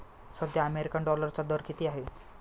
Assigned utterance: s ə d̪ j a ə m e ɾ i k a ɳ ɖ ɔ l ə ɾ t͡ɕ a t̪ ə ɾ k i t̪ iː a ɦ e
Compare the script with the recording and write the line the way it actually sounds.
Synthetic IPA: s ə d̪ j a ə m e ɾ i k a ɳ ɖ ɔ l ə ɾ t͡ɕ a d̪ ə ɾ k i t̪ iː a ɦ e